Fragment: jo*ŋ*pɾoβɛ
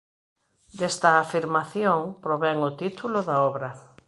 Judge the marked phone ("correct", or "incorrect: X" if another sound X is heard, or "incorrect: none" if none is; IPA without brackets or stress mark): correct